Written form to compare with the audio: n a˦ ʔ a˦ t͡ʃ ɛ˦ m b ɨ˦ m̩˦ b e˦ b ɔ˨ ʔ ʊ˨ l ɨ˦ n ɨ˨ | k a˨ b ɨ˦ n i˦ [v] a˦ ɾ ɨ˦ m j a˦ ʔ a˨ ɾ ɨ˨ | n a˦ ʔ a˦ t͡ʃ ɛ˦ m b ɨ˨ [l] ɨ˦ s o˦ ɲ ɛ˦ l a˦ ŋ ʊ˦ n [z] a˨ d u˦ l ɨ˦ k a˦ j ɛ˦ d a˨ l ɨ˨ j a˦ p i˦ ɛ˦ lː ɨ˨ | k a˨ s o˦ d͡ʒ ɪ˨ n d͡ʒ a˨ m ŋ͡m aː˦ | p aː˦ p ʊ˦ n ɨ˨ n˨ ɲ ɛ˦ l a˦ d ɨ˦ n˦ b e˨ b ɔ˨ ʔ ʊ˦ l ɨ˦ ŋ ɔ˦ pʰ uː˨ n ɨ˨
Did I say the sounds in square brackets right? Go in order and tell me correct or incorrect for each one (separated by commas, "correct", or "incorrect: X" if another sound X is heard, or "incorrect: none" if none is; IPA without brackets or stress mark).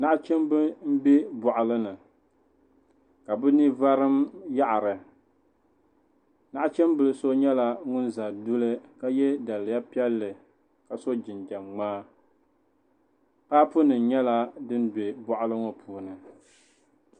correct, correct, correct